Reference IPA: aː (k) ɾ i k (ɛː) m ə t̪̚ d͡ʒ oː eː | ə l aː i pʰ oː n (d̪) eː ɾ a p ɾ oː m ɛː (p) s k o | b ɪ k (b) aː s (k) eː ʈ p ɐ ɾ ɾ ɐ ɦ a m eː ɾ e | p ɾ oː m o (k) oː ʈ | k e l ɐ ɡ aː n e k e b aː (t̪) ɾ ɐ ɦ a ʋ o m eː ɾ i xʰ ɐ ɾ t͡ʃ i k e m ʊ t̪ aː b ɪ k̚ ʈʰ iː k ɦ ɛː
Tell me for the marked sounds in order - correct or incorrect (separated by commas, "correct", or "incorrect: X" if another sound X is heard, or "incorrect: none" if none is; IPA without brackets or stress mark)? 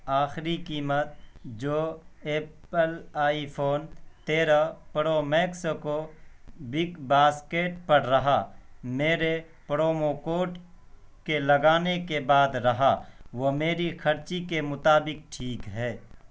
incorrect: x, incorrect: iː, incorrect: t̪, incorrect: k, correct, correct, correct, incorrect: d̪